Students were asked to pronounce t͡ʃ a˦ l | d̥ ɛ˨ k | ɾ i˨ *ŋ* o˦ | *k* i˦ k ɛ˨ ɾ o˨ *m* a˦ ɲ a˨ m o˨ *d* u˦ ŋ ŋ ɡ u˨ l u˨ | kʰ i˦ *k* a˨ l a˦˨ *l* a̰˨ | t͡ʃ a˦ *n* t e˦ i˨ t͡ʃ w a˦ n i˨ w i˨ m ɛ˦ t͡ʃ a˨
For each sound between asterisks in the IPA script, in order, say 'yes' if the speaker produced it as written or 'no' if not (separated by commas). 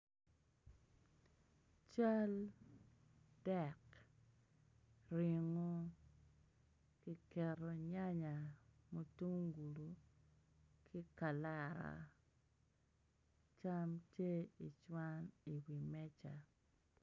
yes, yes, no, no, yes, no, no